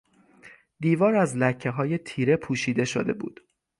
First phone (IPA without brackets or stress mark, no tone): d̪